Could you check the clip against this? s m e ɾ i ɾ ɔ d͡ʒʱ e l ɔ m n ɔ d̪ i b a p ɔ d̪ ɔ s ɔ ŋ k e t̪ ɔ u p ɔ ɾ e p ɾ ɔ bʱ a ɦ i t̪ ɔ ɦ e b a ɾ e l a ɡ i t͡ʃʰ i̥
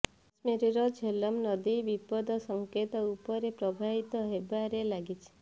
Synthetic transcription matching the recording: s m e ɾ i ɾ ɔ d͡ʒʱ e l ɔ m n ɔ d̪ i b i p ɔ d̪ ɔ s ɔ ŋ k e t̪ ɔ u p ɔ ɾ e p ɾ ɔ bʱ a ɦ i t̪ ɔ ɦ e b a ɾ e l a ɡ i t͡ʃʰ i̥